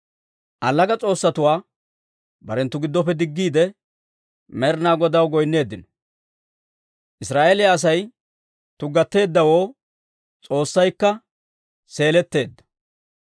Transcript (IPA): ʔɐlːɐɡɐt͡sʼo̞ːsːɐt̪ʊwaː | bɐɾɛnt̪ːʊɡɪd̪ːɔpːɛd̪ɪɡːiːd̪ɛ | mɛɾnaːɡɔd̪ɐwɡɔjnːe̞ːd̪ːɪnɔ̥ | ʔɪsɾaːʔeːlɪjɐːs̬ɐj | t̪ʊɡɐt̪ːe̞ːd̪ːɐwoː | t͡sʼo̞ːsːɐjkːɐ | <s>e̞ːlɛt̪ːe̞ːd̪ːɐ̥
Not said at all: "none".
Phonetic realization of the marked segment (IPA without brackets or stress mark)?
s